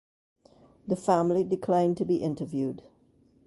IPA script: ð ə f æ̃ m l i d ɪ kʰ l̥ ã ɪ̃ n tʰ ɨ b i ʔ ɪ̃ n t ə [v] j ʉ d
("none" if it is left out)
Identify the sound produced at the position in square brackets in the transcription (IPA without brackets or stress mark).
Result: v